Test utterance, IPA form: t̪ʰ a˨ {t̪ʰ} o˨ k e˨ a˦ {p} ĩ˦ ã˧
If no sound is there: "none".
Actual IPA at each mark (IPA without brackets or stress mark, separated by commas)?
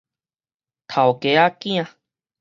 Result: none, k